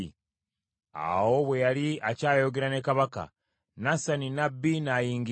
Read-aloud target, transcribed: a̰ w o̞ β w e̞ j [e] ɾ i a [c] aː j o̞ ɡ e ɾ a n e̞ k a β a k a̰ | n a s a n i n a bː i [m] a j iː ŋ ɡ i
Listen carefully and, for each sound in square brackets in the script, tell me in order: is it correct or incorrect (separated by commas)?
incorrect, correct, incorrect